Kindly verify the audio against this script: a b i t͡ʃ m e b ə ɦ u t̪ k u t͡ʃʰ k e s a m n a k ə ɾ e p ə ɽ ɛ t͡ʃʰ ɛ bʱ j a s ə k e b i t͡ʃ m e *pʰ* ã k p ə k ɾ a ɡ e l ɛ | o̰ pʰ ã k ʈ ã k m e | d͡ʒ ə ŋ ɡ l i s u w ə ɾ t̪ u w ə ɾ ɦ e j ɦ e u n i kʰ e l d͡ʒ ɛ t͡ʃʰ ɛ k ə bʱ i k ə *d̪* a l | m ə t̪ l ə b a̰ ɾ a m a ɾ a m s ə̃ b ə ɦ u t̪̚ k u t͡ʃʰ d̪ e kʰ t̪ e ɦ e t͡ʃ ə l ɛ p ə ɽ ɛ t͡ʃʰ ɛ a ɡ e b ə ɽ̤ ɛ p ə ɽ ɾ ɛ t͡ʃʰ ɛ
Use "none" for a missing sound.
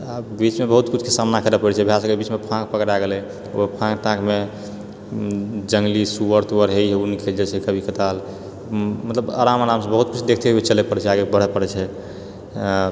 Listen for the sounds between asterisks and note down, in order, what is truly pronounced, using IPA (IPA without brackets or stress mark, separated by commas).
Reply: pʰ, t̪